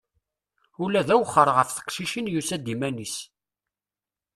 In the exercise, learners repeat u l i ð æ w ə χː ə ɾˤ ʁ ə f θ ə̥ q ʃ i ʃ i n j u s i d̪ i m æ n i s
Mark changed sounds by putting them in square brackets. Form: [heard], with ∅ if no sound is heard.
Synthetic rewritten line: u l [æ] ð æ w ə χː ə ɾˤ ʁ ə f θ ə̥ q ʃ i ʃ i n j u s [æ] d̪ i m æ n i s